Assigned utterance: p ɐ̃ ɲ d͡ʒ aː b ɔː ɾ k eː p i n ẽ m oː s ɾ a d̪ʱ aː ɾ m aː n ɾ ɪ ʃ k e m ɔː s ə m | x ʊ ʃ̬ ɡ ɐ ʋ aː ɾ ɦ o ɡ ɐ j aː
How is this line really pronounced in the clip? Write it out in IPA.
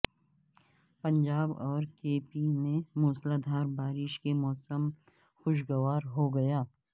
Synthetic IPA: p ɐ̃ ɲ d͡ʒ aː b ɔː ɾ k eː p i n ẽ m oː s l a d̪ʱ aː ɾ b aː ɾ ɪ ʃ k e m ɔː s ə m | x ʊ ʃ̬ ɡ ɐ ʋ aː ɾ ɦ o ɡ ɐ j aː